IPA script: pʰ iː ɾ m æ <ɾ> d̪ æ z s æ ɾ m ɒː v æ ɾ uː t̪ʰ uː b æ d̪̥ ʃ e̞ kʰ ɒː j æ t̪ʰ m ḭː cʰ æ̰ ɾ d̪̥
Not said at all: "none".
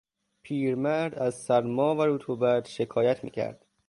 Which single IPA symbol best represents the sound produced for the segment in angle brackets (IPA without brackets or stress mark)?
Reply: ɾ